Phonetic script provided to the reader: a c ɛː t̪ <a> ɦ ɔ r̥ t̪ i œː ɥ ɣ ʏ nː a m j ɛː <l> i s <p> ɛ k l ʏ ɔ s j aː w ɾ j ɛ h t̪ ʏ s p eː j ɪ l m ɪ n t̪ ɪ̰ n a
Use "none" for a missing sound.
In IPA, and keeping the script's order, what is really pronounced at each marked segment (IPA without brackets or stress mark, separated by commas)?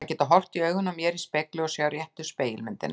a, ɾ, p